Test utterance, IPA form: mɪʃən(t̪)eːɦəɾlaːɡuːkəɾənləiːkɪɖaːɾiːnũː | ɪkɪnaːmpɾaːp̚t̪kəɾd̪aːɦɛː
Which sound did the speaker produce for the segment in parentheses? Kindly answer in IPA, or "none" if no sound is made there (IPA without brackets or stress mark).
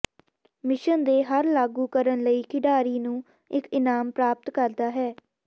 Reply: d̪